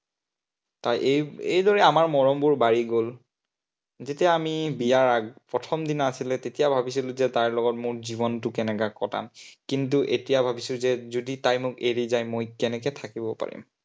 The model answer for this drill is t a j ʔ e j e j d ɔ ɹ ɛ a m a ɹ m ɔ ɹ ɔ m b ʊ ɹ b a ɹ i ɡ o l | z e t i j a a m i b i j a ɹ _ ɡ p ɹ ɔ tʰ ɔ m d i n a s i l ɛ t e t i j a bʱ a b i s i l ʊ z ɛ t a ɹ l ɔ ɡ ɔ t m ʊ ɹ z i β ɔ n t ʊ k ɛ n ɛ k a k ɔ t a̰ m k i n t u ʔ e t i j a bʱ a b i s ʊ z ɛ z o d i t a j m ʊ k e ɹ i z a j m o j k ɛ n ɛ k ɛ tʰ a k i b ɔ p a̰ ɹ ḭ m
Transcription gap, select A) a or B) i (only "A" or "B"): A